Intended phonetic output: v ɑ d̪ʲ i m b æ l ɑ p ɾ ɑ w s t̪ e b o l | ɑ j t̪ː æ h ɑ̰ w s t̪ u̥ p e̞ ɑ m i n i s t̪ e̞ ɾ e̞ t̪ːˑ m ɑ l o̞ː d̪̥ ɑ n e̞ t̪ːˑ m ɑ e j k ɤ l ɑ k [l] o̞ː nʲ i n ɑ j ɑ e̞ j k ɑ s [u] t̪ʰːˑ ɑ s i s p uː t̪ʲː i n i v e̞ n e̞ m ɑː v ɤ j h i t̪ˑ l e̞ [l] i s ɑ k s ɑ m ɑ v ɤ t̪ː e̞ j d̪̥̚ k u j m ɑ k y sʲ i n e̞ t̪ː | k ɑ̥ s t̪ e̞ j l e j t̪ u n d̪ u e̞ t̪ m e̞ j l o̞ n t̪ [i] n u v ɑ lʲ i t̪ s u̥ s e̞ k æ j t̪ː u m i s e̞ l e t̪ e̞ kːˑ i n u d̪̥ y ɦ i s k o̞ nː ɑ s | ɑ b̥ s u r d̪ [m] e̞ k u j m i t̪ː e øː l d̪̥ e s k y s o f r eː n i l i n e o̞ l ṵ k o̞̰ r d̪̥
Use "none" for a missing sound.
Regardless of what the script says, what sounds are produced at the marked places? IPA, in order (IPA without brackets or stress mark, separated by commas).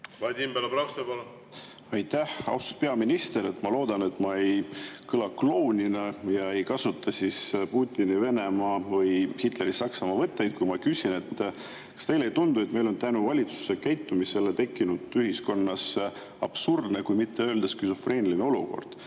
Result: l, u, ɾ, æ, n